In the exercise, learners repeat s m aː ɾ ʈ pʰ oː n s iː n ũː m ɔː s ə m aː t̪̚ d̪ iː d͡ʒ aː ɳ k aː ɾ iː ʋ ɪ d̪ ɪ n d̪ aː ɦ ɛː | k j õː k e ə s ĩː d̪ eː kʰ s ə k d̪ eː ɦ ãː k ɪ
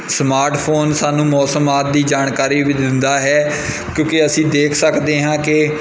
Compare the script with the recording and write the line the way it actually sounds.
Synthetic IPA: s m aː ɾ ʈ pʰ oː n s aː n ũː m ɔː s ə m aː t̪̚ d̪ iː d͡ʒ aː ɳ k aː ɾ iː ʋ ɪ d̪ ɪ n d̪ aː ɦ ɛː | k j õː k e ə s ĩː d̪ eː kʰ s ə k d̪ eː ɦ ãː k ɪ